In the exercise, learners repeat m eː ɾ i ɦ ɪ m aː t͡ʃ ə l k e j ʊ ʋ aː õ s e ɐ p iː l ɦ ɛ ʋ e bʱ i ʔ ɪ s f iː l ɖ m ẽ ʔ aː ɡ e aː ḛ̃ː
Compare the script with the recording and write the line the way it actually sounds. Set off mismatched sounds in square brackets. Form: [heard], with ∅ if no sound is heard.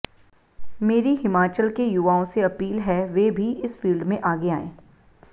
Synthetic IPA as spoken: m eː ɾ i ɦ ɪ m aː t͡ʃ ə l k e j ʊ ʋ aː õ s e ɐ p iː l ɦ ɛ ʋ e bʱ i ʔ ɪ s f iː l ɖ m ẽ ʔ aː ɡ e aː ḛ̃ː